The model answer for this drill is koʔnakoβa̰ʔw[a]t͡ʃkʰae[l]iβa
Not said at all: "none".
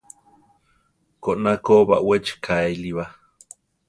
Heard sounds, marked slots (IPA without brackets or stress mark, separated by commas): e, l